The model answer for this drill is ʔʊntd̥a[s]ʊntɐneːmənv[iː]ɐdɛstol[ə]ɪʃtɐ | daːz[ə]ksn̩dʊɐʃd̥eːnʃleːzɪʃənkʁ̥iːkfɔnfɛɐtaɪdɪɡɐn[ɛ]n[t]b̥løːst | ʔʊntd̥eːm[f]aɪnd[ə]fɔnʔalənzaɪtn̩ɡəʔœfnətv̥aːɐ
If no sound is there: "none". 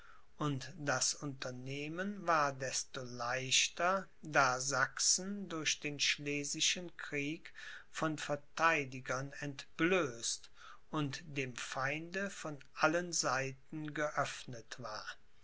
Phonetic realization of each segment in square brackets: s, aː, a, a, ɛ, t, f, ə

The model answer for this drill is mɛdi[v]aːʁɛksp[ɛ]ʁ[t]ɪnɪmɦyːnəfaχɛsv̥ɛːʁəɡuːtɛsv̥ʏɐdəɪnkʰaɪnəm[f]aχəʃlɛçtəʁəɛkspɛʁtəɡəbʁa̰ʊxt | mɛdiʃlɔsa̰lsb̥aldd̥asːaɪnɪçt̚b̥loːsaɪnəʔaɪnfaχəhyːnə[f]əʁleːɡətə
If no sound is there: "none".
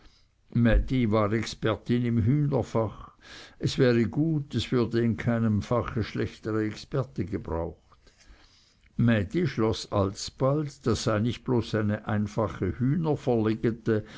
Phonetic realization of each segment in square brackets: v, ɛ, t, f, f

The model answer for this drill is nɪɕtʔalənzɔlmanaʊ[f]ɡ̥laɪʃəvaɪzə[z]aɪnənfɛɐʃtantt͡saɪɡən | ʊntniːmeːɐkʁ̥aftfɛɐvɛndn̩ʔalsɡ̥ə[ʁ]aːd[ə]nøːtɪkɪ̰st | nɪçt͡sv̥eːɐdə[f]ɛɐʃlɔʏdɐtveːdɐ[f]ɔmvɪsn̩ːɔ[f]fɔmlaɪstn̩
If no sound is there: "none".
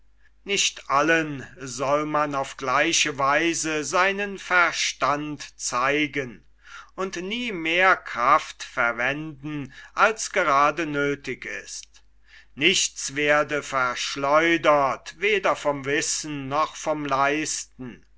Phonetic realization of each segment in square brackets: f, z, ʁ, ə, f, f, χ

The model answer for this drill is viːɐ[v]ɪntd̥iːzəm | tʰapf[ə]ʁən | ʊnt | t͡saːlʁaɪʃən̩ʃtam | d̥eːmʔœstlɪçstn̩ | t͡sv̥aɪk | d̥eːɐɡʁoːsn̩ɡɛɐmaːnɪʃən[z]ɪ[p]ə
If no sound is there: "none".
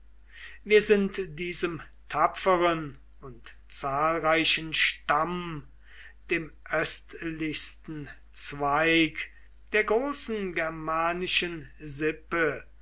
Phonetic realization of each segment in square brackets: z, ə, z, p

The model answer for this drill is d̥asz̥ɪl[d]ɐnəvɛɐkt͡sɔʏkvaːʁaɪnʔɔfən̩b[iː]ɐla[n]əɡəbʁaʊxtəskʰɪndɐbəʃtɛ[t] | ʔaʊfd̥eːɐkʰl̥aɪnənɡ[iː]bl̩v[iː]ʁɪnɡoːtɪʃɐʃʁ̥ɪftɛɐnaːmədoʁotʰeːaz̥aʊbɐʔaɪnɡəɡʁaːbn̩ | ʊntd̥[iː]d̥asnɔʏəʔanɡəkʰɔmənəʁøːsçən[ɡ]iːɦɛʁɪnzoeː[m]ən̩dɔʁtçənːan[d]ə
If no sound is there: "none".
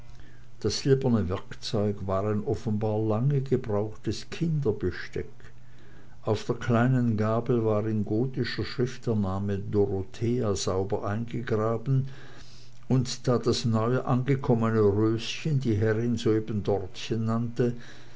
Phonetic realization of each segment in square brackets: b, aː, ŋ, k, aː, aː, aː, d, b, t

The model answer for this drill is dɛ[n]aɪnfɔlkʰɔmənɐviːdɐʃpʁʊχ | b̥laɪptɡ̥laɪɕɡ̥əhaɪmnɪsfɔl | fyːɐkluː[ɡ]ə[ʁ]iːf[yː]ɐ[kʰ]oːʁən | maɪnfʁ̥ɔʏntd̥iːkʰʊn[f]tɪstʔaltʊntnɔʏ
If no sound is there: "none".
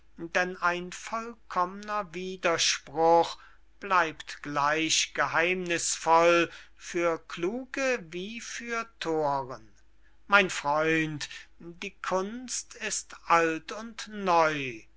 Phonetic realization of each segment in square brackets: n, ɡ, v, yː, tʰ, s

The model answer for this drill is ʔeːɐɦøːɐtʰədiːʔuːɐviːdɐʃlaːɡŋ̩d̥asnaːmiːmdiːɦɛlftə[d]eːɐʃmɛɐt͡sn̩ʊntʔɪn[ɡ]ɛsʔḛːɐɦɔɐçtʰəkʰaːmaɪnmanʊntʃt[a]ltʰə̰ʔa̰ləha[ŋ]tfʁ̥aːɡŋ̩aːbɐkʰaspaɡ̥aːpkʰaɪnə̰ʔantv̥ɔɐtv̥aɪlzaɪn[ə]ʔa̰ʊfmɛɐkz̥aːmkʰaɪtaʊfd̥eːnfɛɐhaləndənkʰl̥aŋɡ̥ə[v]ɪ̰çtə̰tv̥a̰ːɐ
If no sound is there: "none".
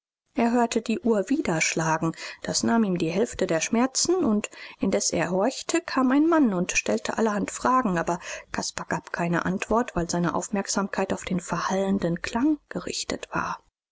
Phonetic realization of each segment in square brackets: d, d, ɛ, n, ə, ʁ

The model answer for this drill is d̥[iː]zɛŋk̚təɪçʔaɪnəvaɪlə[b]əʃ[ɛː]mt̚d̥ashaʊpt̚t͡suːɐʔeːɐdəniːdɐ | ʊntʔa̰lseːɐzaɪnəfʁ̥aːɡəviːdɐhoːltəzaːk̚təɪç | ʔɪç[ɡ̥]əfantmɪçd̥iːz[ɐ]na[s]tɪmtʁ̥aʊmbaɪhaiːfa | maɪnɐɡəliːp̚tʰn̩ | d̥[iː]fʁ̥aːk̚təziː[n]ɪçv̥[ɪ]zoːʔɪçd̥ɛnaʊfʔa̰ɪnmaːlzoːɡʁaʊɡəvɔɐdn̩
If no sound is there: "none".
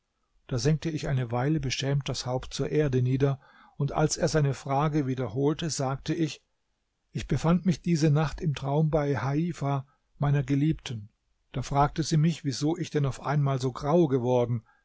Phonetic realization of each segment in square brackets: aː, b, ɛː, b̥, ə, χ, aː, m, i

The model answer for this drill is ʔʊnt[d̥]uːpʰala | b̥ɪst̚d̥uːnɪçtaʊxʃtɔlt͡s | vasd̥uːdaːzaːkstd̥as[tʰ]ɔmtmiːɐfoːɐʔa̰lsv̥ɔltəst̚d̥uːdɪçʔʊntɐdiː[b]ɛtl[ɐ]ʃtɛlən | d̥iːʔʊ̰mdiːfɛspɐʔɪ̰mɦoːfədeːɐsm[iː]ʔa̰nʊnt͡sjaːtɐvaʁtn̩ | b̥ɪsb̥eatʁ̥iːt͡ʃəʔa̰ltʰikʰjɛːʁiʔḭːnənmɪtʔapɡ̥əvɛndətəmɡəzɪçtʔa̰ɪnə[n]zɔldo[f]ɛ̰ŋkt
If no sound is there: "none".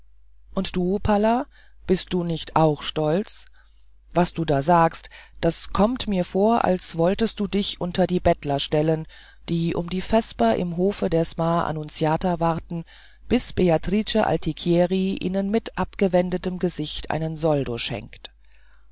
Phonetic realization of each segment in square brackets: d̥, kʰ, b, ɐ, aː, n, ʃ

